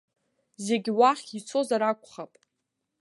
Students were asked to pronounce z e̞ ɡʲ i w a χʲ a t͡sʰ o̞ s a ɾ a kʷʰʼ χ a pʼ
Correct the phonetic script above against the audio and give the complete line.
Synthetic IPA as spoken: z e̞ ɡʲ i w a χʲ i t͡sʰ o̞ z a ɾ a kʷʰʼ χ a pʼ